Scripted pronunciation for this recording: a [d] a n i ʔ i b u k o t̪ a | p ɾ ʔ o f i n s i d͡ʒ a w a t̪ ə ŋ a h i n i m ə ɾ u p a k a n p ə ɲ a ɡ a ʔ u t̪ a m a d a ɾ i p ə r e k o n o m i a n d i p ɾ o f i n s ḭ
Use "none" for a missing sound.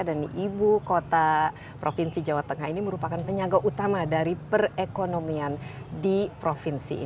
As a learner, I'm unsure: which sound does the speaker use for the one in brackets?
d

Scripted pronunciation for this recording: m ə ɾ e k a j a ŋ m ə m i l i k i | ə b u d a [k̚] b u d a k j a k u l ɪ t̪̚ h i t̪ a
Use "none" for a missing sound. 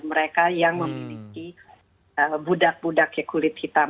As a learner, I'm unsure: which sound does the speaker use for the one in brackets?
k̚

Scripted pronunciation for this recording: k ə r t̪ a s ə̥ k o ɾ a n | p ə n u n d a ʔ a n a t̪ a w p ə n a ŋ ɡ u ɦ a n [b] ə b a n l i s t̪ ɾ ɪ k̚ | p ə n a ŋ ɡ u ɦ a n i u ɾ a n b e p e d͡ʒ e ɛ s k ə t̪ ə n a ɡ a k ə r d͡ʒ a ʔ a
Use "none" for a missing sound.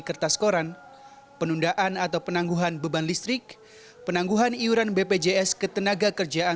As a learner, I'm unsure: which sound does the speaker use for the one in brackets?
b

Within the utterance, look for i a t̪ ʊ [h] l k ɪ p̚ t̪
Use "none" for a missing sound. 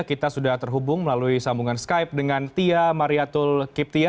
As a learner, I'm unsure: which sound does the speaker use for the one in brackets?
none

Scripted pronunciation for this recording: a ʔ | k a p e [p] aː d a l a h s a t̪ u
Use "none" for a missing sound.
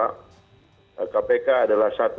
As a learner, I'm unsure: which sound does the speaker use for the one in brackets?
k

